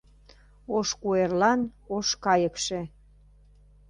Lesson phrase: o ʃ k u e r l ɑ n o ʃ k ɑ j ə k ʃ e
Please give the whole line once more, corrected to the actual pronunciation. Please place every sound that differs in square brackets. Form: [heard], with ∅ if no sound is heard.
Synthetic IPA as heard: o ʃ k u e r l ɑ n o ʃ k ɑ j ə k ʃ e